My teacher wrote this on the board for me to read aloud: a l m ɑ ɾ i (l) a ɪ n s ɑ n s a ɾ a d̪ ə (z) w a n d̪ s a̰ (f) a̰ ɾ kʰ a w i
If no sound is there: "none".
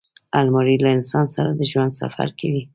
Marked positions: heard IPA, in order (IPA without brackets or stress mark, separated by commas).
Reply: l, ʒ, f